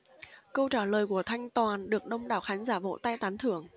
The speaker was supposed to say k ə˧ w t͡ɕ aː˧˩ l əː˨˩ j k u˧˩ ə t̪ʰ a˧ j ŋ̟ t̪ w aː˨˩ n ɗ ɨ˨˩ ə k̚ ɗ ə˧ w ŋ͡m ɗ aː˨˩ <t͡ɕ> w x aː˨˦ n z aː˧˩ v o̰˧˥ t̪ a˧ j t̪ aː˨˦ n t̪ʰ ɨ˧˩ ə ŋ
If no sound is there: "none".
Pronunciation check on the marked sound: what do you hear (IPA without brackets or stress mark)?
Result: none